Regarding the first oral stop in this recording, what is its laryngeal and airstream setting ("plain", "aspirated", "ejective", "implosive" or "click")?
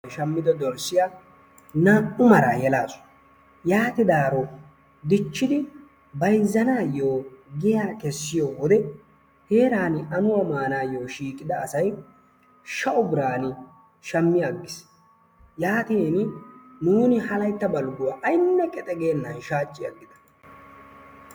plain